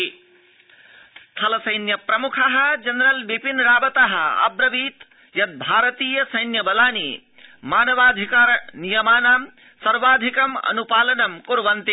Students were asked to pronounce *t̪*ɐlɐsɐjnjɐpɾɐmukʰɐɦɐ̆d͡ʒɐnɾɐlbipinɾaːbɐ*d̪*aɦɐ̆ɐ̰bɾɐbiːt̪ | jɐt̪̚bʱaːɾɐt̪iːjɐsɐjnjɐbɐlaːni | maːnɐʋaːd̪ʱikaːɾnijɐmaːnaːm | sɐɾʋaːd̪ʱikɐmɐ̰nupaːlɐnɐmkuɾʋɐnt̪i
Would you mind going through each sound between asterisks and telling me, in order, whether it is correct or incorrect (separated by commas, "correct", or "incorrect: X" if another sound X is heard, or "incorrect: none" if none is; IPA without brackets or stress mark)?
incorrect: t̪ʰ, incorrect: t̪